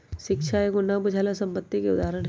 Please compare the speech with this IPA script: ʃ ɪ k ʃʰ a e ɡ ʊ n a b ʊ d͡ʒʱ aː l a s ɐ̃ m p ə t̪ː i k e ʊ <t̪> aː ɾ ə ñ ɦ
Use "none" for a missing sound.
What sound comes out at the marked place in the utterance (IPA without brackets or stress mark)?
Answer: d̪